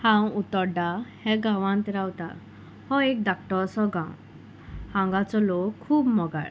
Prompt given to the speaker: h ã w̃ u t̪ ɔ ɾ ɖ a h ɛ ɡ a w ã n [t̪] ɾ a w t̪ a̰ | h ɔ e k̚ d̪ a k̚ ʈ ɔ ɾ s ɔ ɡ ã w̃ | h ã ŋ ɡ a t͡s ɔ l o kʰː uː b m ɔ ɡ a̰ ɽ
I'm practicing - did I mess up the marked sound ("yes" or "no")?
no